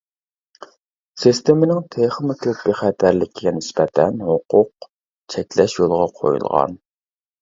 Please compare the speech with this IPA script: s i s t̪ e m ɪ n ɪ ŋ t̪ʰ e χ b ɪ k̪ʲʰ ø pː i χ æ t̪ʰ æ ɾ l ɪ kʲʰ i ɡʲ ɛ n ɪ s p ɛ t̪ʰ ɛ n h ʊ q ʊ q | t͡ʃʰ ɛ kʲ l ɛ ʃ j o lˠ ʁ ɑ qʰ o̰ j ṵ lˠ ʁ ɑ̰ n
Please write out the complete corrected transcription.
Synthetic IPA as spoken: s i s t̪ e m ɪ n ɪ ŋ t̪ʰ e χ m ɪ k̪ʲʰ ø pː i χ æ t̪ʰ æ ɾ l ɪ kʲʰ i ɡʲ ɛ n ɪ s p ɛ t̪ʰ ɛ n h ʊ q ʊ q | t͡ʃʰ ɛ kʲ l ɛ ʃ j o lˠ ʁ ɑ qʰ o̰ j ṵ lˠ ʁ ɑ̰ n